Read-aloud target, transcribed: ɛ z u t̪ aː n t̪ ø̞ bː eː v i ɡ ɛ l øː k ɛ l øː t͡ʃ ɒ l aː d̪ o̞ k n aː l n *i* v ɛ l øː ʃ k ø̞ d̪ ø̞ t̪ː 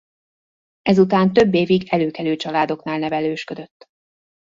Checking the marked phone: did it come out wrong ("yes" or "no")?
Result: yes